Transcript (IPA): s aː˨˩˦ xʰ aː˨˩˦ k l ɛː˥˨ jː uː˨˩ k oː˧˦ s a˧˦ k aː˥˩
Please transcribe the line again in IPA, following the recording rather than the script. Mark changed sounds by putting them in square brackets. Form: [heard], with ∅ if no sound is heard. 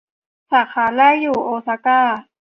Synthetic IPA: s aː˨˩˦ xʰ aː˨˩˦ [∅] l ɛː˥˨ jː uː˨˩ [ʔ] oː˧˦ s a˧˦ k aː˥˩